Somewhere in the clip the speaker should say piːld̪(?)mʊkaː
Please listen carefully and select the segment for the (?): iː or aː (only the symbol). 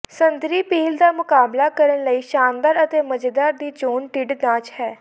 aː